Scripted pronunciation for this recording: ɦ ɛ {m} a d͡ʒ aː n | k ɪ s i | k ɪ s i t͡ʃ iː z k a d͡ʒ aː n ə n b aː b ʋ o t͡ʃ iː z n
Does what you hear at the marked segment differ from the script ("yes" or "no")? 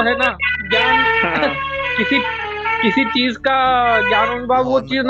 yes